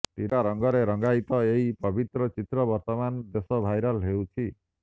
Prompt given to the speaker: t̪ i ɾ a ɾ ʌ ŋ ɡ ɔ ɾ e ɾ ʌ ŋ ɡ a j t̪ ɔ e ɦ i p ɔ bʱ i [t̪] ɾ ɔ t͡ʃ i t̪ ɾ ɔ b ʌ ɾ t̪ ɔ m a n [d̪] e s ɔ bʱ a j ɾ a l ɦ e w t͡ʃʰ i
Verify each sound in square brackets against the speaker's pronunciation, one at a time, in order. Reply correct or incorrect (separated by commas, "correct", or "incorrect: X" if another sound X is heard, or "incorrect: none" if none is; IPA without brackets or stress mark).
correct, correct